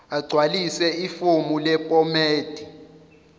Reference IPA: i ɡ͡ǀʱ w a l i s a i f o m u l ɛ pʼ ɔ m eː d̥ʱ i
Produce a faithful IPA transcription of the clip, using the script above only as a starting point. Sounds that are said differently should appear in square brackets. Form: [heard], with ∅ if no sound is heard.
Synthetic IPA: [a] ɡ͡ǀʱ w a l i s [ɛ] i f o m u l ɛ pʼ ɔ m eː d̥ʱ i